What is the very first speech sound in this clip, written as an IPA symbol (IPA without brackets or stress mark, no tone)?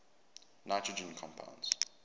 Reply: n